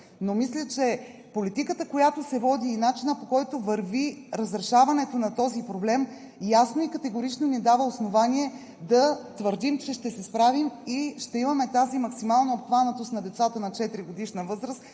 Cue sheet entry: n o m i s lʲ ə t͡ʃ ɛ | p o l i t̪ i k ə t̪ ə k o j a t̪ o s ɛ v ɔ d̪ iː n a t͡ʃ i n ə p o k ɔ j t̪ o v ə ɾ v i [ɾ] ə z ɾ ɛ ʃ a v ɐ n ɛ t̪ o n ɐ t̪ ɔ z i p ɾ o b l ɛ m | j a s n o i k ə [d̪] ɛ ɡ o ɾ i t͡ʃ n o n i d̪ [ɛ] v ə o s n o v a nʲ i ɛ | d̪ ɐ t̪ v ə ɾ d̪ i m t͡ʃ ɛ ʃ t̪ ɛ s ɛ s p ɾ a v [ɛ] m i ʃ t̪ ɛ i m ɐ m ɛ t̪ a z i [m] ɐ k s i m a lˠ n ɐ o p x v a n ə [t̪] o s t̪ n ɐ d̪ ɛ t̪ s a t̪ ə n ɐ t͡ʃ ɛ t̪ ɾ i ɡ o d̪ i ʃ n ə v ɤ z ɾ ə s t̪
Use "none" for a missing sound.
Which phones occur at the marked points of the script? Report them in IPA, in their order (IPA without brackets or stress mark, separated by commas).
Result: ɾ, t̪, a, i, m, t̪